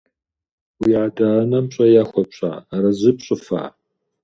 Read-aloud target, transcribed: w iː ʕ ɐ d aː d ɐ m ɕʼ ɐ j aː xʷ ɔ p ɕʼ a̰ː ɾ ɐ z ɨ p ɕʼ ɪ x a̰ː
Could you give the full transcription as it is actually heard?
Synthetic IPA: w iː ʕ a d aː n ɐ m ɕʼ ɐ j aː xʷ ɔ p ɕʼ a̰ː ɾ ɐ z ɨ p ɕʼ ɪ f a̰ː